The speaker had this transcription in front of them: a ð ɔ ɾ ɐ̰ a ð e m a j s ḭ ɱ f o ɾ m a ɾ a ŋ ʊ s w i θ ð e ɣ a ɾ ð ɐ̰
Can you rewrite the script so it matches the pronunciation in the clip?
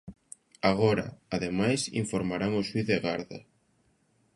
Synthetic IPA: a ɣ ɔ ɾ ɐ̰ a ð e m a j s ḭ ɱ f o ɾ m a ɾ a ŋ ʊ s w i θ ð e ɣ a ɾ ð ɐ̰